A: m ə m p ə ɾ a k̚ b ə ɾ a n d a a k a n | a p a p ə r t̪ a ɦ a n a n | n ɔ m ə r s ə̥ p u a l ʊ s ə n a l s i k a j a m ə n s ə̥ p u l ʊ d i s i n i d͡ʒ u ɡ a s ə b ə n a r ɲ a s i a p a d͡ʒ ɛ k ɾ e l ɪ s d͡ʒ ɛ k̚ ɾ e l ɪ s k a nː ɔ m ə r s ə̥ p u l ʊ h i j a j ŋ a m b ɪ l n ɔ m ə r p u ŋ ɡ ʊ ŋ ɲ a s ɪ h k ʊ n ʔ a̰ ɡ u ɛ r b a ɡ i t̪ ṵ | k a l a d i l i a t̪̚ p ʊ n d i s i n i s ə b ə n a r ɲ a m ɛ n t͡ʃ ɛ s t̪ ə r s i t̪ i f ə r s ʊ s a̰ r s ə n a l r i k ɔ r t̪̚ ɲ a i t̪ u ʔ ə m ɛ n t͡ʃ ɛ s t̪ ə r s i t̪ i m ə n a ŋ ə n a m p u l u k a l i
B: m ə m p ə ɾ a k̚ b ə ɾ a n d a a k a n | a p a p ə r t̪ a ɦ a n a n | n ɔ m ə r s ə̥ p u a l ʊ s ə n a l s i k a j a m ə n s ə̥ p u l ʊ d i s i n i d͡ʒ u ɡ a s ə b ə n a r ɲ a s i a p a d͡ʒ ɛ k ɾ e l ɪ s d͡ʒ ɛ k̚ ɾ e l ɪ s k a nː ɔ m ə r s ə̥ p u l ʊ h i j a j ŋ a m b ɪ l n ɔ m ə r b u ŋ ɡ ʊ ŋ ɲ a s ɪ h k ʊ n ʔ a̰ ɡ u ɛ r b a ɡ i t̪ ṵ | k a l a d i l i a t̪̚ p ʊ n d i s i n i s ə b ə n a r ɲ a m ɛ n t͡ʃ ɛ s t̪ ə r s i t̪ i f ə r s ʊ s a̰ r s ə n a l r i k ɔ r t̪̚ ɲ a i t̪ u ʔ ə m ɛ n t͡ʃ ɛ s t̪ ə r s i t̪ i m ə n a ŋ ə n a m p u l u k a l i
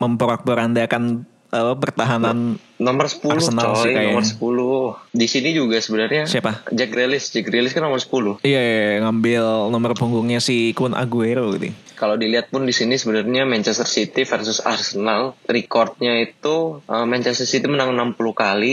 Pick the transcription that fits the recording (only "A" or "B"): A